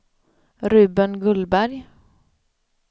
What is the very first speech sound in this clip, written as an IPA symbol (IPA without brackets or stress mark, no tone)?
ɾ